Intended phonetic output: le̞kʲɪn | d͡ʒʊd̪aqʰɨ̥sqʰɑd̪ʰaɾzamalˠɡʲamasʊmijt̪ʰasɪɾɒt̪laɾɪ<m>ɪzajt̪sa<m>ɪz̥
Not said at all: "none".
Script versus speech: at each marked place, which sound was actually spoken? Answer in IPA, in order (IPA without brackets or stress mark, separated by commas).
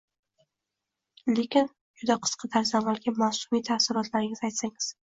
ŋ, ŋ